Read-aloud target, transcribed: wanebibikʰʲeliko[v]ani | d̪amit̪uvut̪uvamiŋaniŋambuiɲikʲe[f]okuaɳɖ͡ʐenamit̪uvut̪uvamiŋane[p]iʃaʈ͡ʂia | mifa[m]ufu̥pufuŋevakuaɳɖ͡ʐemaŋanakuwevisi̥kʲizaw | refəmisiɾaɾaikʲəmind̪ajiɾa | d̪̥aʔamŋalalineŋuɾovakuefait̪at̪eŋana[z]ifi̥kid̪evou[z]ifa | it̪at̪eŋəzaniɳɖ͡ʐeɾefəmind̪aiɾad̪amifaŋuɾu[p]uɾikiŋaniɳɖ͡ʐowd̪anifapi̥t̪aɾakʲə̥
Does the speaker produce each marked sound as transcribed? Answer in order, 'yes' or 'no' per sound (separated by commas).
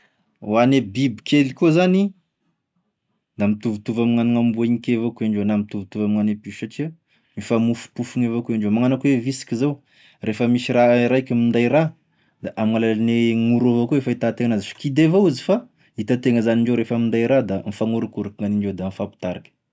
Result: no, no, yes, yes, yes, yes, no